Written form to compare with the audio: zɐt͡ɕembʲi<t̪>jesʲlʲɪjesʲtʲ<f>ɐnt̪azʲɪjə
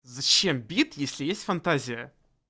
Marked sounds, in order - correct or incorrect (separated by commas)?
correct, correct